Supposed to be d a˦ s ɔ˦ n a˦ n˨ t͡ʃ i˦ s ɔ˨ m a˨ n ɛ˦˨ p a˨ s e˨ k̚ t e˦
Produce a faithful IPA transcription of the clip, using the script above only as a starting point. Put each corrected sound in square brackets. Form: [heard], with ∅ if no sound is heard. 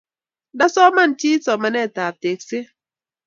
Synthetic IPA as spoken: d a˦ s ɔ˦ [m] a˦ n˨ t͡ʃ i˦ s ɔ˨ m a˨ n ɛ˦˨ [t] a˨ [t] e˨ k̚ [s] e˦